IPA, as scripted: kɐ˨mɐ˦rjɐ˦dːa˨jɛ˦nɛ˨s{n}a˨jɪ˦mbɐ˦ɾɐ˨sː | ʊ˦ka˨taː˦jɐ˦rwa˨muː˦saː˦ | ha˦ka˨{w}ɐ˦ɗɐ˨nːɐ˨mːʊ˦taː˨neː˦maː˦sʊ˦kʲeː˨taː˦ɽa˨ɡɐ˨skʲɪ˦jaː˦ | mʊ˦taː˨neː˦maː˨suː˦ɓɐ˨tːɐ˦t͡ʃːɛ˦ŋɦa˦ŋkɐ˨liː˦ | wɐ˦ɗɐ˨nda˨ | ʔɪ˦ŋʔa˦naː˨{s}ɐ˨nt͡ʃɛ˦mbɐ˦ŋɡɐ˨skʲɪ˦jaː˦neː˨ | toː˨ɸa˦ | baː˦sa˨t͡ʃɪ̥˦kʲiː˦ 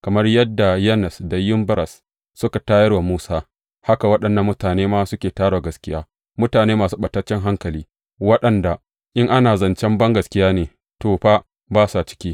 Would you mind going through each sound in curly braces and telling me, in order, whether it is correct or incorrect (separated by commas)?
incorrect, correct, incorrect